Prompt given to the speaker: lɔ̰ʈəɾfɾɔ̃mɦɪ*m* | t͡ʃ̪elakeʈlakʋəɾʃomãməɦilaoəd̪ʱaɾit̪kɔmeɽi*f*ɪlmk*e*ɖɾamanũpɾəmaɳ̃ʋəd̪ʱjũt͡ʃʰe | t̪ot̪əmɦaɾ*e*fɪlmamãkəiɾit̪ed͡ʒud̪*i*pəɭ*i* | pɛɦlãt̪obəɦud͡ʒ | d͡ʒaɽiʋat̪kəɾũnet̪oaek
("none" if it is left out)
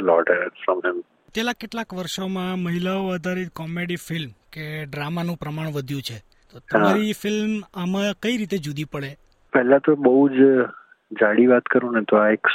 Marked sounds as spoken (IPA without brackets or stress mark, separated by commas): m, f, e, i, i, e